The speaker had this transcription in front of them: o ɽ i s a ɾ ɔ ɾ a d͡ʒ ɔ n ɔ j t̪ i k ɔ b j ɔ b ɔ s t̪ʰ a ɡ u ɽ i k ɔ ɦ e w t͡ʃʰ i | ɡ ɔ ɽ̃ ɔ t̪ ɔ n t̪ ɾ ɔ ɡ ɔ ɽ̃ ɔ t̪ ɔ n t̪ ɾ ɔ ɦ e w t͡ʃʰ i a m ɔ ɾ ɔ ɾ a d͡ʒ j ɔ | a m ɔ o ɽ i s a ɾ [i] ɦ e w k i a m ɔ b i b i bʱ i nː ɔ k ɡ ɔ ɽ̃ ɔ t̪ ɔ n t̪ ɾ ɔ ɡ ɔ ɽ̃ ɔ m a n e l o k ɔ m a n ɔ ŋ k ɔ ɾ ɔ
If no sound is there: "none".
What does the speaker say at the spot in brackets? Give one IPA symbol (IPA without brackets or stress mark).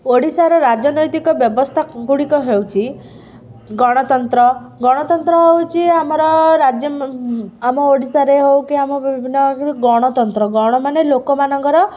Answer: e